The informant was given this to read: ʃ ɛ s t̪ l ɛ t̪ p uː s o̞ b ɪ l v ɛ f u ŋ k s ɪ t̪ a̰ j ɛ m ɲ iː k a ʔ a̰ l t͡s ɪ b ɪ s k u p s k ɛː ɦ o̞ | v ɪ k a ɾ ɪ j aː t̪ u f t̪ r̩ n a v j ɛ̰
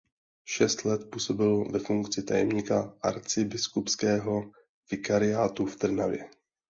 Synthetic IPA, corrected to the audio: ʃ ɛ s t̪ l ɛ t̪ p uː s o̞ b ɪ l v ɛ f u ŋ k t͡s ɪ t̪ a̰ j ɛ m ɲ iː k a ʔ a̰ ɾ t͡s ɪ b ɪ s k u p s k ɛː ɦ o̞ | v ɪ k a ɾ ɪ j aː t̪ u f t̪ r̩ n a v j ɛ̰